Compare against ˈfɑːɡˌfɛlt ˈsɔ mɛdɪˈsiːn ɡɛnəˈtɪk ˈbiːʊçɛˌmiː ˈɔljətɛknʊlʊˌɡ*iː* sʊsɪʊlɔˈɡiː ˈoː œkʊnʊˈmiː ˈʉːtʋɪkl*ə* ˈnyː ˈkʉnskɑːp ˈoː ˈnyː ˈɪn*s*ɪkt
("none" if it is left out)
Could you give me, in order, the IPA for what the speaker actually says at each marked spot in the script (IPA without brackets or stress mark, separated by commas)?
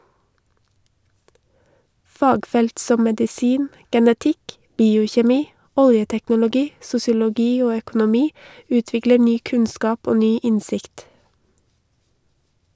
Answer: iː, ə, s